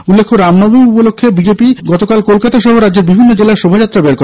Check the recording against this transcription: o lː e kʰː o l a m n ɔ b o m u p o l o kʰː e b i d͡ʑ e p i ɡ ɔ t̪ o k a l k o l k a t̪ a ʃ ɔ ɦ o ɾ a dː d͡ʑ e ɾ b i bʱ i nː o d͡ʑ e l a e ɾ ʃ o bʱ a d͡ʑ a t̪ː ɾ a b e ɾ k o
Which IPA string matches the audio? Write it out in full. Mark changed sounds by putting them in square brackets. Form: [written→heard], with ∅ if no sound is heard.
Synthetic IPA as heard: [o→u] lː e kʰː o [l→ɾ] a m n ɔ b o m u p o l o kʰː e b i d͡ʑ e p i ɡ ɔ t̪ o k a l k o l k a t̪ a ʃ ɔ ɦ o ɾ a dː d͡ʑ e ɾ b i bʱ i nː o d͡ʑ e l a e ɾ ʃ o bʱ a d͡ʑ a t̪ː ɾ a b e ɾ k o